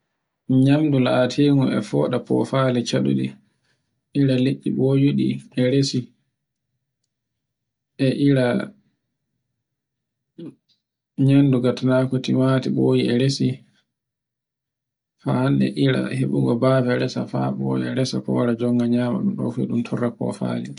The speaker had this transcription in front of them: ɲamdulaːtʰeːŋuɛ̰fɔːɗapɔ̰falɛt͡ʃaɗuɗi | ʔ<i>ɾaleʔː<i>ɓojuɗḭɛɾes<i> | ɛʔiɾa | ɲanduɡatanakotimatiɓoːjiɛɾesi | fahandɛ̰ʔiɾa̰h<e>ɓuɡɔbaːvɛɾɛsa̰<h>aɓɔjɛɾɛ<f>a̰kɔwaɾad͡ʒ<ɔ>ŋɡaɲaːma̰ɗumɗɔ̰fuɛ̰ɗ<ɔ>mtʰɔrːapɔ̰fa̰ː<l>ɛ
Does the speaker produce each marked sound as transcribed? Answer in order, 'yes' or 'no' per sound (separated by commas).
yes, yes, yes, yes, no, no, yes, no, yes